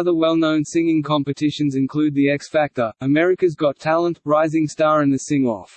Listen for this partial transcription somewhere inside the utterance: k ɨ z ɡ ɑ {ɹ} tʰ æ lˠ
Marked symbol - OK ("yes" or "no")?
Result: no